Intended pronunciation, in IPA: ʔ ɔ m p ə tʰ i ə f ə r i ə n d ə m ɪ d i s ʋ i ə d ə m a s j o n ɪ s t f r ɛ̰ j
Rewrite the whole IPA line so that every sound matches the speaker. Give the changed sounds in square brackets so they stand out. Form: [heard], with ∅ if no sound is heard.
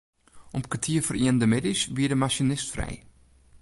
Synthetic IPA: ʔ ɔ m [k] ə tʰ i ə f ə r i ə n d ə m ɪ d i s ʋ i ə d ə m a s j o n ɪ s t f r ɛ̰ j